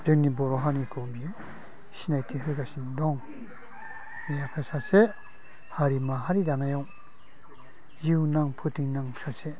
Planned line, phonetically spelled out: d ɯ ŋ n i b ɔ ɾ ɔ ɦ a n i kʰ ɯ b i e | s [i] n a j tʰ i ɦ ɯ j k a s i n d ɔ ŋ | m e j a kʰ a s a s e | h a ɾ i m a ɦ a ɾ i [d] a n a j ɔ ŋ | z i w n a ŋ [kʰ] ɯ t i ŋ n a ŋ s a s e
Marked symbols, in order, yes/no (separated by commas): yes, yes, no